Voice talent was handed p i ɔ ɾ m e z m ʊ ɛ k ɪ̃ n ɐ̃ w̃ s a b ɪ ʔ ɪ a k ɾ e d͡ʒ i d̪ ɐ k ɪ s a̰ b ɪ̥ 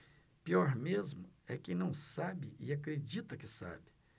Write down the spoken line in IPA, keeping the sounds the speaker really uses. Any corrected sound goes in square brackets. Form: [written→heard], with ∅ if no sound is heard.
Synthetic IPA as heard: p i ɔ ɾ m e z m ʊ ɛ k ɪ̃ n ɐ̃ w̃ s a b ɪ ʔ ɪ a k ɾ e d͡ʒ i [d̪→t̪] ɐ k ɪ s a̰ b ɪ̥